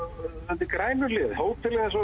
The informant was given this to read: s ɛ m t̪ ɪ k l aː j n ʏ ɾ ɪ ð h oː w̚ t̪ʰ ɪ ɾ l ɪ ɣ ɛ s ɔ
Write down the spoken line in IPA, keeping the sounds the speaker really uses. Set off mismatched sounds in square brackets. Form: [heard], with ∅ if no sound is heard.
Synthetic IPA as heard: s ɛ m t̪ ɪ k [ɾ] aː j n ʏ [l] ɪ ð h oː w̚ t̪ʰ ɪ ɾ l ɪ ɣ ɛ s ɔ